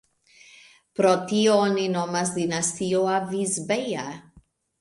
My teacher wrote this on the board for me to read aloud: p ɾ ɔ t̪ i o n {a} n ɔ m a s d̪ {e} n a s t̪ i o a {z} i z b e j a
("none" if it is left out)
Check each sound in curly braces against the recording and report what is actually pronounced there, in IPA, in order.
i, i, v

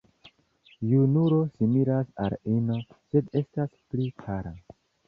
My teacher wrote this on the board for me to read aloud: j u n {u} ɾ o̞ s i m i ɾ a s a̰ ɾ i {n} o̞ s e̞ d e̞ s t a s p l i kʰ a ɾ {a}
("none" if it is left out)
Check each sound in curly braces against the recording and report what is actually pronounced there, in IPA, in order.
u, n, a

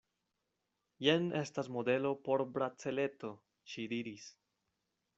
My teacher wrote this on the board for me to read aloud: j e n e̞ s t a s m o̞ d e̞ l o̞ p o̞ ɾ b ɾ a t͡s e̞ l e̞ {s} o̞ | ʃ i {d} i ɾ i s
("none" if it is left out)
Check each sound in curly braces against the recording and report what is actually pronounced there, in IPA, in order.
t, d

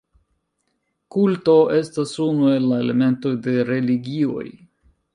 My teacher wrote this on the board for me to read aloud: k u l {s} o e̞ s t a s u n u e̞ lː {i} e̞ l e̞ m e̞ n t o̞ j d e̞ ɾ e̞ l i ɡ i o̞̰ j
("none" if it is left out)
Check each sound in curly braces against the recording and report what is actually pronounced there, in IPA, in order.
t, a

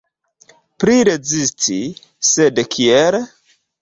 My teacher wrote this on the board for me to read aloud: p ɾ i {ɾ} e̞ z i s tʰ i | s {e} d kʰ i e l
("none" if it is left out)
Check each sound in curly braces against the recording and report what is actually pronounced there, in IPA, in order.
ɾ, e

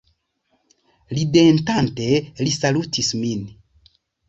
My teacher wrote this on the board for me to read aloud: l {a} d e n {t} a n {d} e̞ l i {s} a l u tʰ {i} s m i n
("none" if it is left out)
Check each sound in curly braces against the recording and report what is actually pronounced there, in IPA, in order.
i, t, t, s, i

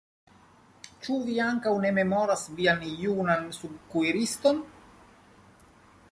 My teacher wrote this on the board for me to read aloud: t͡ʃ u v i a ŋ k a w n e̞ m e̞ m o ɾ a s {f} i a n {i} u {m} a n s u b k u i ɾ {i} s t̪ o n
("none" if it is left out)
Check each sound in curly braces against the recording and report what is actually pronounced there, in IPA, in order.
v, j, n, i

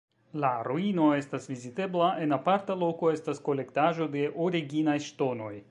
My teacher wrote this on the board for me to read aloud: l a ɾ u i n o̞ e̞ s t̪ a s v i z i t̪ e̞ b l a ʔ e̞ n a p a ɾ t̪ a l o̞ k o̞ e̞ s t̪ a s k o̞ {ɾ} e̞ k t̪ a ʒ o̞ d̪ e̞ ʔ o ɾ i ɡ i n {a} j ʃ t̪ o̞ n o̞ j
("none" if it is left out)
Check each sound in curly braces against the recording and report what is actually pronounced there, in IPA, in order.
l, a

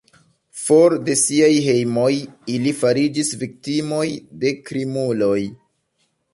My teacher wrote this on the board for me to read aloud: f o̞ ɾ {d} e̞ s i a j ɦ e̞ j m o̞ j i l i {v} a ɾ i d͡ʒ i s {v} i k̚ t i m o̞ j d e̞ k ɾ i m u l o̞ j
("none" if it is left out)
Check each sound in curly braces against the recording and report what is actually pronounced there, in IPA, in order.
d, f, v

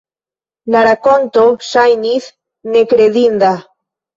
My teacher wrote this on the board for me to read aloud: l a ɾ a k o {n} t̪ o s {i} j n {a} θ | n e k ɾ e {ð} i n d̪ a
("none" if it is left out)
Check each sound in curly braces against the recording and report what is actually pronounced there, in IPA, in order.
n, a, i, ð

